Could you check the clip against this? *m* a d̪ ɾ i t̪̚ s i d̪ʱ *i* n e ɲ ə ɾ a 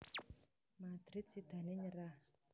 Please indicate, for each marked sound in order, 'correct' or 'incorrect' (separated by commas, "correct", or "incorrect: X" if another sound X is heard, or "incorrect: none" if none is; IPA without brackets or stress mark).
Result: correct, incorrect: a